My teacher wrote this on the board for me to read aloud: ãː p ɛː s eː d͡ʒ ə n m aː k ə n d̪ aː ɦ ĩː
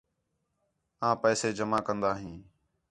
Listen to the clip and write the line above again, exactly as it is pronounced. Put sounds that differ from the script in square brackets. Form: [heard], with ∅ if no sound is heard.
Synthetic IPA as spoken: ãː p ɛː s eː d͡ʒ ə [∅] m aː k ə n d̪ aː ɦ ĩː